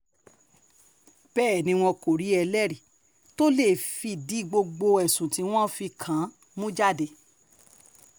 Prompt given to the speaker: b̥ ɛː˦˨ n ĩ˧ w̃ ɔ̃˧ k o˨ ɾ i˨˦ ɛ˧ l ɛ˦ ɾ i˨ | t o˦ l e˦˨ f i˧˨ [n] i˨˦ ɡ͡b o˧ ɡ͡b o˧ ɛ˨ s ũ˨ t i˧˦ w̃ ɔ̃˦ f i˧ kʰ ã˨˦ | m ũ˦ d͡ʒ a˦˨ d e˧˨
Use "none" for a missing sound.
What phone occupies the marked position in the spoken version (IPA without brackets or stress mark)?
d